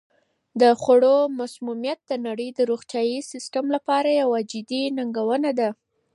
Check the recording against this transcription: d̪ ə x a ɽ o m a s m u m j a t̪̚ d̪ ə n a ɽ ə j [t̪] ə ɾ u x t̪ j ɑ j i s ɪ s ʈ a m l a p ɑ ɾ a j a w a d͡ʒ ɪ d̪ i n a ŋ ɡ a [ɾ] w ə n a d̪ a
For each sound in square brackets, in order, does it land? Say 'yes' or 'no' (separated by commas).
no, no